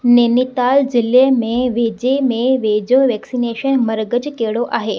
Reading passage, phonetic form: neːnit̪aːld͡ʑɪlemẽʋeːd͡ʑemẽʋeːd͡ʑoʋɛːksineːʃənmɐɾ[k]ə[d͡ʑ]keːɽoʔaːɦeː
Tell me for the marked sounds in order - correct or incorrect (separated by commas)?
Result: incorrect, correct